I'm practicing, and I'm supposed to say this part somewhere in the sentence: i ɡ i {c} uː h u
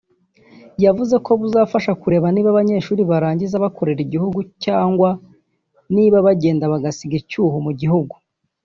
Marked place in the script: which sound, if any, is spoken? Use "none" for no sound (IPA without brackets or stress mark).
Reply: c